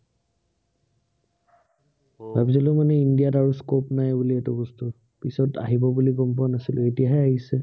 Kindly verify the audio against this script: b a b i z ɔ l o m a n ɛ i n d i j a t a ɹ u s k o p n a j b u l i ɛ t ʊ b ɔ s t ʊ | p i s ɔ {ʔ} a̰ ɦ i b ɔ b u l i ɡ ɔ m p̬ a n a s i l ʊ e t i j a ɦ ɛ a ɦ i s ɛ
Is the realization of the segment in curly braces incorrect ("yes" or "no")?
yes